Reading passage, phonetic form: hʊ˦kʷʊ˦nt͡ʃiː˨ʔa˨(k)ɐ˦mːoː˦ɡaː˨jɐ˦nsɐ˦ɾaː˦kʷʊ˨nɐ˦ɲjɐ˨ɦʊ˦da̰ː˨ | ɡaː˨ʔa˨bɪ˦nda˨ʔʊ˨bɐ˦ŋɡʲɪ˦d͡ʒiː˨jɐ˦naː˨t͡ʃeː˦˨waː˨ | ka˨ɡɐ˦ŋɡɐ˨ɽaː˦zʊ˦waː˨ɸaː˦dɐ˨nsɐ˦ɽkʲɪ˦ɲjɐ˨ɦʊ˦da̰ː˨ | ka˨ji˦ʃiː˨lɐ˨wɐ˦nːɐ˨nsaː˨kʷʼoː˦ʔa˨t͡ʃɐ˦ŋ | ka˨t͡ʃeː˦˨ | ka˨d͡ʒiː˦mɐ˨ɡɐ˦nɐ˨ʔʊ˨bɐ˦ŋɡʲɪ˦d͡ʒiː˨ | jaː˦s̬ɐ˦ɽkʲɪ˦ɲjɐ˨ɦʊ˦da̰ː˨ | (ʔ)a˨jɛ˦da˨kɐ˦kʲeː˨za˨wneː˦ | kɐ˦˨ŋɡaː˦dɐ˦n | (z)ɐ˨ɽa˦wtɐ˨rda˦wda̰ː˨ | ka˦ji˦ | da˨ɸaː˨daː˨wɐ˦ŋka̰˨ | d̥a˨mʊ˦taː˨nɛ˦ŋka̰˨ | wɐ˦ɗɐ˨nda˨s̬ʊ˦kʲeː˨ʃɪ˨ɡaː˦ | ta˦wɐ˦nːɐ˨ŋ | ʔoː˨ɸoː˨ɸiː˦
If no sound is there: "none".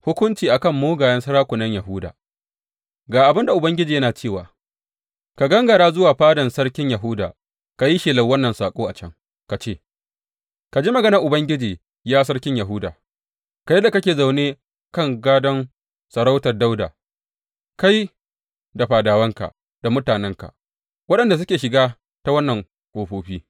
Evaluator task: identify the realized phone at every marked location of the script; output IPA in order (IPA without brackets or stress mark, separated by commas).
k, k, s